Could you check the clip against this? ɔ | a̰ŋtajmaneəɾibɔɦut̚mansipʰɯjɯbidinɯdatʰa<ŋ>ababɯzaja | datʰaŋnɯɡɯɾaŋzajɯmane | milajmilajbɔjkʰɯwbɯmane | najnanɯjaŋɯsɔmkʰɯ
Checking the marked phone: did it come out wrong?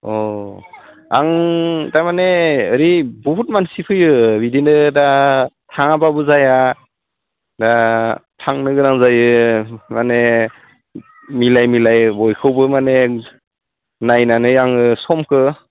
no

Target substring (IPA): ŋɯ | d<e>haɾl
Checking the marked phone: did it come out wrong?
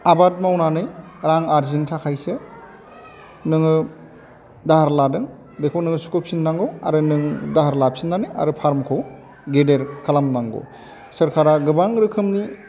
yes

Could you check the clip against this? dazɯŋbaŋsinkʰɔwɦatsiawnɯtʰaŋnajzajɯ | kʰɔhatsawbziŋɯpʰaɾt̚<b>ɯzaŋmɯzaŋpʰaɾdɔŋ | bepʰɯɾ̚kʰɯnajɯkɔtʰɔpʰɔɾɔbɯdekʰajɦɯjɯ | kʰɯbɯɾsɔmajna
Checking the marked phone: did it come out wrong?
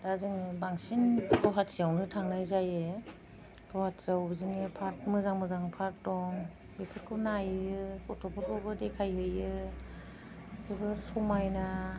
yes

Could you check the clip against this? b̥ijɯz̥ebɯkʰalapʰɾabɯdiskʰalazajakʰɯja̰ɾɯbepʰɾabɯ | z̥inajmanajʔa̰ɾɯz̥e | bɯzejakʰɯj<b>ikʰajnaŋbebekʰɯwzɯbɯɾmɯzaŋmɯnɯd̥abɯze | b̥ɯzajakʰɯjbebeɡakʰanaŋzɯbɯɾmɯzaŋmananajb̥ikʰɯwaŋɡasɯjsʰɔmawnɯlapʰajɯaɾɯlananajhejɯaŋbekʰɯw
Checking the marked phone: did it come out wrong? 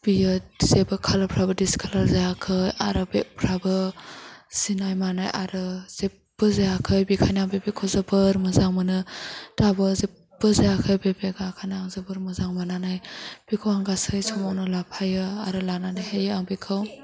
no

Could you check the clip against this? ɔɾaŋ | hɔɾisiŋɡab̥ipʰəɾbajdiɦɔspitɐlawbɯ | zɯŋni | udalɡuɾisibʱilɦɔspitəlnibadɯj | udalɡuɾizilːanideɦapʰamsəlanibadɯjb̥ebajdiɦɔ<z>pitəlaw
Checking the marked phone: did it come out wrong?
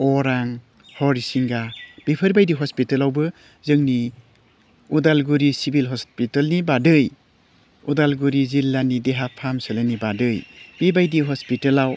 yes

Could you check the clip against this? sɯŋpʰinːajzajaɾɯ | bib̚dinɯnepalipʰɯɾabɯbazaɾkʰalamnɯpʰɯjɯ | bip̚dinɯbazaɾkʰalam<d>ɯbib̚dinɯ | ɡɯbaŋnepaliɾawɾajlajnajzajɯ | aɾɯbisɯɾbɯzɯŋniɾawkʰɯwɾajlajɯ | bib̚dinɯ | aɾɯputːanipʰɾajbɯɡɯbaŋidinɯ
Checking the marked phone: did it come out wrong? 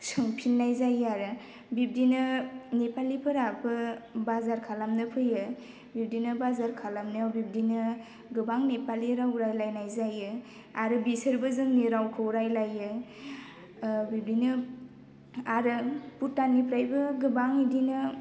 yes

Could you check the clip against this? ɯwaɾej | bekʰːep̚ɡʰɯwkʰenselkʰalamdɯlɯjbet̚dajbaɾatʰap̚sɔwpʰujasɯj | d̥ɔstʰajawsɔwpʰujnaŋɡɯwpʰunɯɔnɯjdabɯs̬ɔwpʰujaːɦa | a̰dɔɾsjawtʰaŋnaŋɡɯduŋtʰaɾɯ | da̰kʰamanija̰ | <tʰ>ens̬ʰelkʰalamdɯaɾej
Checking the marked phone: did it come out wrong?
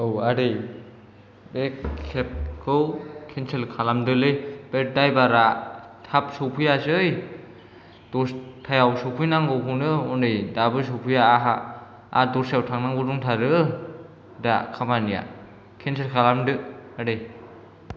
yes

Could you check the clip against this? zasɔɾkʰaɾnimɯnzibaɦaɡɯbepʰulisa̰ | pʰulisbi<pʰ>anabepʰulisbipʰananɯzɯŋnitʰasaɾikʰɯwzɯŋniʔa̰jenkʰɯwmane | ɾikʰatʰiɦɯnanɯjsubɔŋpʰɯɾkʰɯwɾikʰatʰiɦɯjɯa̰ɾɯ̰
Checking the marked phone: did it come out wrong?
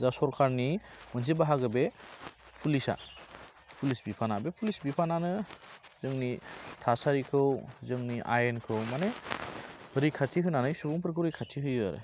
no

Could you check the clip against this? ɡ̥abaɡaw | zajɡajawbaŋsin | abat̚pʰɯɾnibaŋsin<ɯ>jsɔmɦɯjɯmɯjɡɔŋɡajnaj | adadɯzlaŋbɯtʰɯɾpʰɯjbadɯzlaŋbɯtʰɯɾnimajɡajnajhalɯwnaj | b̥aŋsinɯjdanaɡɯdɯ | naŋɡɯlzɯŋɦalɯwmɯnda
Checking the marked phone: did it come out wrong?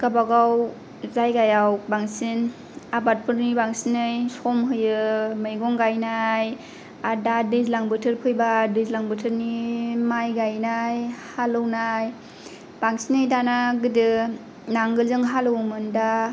no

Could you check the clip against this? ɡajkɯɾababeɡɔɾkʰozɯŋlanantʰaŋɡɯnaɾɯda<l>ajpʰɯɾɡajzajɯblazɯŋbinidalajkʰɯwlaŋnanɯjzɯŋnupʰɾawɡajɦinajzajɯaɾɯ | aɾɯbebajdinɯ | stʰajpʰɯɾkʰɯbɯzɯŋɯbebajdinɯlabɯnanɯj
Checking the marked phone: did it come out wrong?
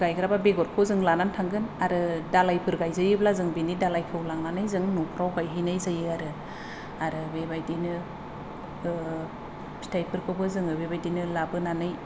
no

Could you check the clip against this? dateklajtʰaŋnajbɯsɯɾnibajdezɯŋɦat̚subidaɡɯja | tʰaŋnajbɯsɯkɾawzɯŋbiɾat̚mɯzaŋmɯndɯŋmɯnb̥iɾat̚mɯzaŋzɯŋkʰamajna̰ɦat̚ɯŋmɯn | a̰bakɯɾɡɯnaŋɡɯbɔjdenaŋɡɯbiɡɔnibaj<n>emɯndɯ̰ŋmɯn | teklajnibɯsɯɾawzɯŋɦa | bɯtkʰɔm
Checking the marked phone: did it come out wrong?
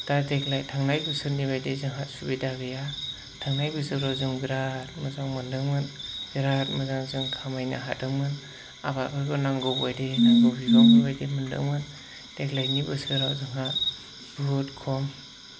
yes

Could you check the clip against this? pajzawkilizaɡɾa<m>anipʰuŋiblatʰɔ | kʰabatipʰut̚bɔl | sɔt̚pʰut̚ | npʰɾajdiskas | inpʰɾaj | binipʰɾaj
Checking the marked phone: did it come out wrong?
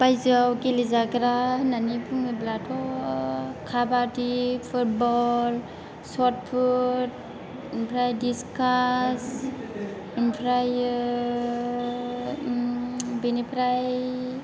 yes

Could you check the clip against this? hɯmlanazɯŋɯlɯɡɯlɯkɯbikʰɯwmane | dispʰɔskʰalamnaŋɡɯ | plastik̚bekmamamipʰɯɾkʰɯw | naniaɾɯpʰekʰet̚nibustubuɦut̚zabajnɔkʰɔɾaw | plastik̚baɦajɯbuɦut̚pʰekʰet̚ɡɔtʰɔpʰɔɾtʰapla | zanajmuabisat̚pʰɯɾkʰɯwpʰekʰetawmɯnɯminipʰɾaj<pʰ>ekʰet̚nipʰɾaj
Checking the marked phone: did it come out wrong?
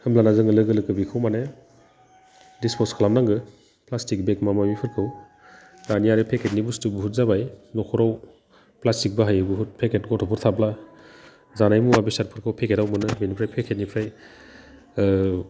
no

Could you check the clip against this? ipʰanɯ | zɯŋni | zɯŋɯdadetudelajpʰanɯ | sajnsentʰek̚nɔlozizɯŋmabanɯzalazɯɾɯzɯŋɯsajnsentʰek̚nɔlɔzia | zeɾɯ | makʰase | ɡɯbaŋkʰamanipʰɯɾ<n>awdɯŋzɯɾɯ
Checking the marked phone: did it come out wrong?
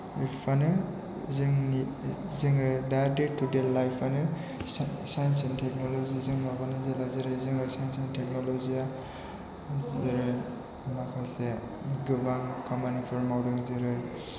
yes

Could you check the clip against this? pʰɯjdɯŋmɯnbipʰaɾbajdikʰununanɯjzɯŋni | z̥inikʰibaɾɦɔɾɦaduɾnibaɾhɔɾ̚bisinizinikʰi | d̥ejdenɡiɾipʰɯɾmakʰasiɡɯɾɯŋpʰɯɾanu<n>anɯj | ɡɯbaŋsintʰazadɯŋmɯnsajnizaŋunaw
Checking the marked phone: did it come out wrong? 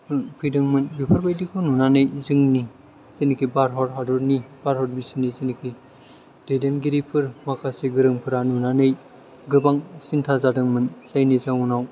no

